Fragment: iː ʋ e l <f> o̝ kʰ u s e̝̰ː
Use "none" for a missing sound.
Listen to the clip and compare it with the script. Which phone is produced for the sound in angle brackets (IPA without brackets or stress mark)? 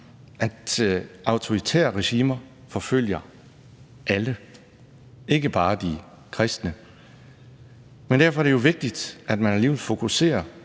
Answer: f